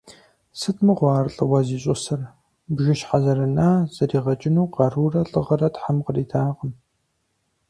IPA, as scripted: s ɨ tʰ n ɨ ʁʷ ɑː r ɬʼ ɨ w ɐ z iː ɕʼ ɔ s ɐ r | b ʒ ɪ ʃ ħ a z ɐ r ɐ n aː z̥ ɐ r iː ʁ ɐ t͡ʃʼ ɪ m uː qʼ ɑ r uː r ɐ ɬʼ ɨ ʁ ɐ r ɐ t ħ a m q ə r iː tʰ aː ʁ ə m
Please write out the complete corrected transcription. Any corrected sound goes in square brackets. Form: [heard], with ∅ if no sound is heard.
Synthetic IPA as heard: s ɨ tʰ [m] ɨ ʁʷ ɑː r ɬʼ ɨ w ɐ z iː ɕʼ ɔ s ɐ r | b ʒ ɪ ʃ ħ a z ɐ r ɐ n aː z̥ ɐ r iː ʁ ɐ t͡ʃʼ ɪ [n] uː [q] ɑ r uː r ɐ ɬʼ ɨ ʁ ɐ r ɐ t ħ a m q ə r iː tʰ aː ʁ ə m